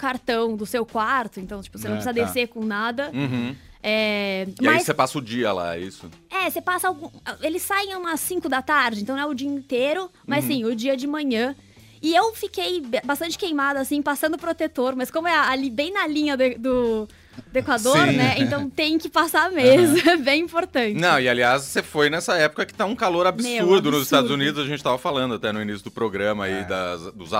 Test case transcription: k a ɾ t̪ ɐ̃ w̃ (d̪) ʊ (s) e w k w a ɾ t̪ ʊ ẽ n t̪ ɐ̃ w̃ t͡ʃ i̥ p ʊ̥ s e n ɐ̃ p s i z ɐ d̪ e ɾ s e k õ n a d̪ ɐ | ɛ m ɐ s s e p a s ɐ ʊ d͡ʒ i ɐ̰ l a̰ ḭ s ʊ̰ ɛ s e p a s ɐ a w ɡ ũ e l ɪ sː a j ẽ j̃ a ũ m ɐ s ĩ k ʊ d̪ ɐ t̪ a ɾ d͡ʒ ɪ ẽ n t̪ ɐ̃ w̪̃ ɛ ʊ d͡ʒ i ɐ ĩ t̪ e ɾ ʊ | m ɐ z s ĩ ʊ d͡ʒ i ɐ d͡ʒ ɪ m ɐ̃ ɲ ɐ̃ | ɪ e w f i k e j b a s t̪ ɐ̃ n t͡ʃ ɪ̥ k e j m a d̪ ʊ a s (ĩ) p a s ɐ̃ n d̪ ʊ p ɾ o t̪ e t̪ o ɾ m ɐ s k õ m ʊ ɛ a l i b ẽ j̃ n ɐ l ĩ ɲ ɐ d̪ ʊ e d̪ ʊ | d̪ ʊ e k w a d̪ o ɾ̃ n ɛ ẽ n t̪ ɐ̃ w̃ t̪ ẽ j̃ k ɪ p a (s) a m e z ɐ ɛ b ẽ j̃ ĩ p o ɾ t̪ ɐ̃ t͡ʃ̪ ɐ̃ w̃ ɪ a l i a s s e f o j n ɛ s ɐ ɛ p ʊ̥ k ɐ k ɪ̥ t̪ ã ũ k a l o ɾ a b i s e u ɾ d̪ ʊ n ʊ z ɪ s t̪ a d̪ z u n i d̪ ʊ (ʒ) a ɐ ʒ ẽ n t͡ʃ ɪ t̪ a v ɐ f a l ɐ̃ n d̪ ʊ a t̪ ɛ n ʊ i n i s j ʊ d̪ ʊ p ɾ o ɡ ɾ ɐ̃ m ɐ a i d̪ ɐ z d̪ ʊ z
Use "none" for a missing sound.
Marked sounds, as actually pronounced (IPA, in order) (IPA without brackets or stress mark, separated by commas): d̪, s, ĩ, s, z